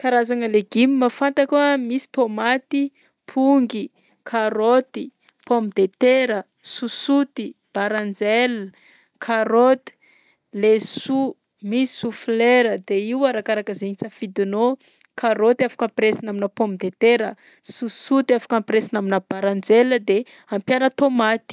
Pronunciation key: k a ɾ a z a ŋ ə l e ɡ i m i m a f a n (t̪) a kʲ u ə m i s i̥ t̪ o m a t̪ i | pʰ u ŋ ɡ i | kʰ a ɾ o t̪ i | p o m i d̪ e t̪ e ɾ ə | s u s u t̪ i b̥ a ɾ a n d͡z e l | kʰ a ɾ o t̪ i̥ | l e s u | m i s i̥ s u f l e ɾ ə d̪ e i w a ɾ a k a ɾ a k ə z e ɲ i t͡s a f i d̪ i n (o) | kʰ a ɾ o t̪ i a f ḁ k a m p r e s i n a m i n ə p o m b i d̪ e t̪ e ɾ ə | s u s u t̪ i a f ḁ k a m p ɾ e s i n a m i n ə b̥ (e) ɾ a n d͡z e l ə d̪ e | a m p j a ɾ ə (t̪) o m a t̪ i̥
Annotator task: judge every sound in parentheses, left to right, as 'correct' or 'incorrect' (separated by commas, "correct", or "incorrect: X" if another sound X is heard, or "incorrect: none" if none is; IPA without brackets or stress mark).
correct, correct, incorrect: a, correct